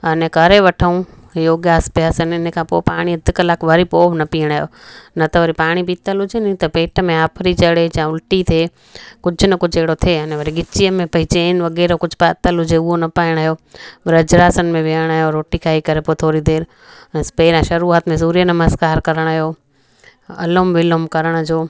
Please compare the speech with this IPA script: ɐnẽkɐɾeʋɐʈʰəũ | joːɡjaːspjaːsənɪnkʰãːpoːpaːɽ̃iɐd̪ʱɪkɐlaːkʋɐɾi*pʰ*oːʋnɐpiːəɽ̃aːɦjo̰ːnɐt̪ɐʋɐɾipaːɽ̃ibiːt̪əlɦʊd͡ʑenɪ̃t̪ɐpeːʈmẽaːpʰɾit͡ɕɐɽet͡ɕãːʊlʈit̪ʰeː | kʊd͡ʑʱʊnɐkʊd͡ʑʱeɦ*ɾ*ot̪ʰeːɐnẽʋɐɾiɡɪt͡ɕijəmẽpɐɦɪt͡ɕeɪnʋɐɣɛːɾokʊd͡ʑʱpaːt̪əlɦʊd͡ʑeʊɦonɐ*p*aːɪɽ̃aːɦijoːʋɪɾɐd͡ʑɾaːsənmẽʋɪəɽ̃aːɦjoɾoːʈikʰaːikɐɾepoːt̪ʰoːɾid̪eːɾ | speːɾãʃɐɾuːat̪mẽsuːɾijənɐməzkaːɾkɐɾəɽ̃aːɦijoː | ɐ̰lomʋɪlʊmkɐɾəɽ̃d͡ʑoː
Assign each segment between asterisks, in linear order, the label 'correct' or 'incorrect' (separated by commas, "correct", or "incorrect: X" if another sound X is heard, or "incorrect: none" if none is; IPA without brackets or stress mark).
incorrect: p, incorrect: ɽ, correct